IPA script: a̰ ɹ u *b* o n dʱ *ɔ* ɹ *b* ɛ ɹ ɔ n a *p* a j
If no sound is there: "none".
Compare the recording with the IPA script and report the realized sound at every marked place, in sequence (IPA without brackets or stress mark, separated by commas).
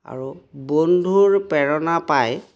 b, u, p, p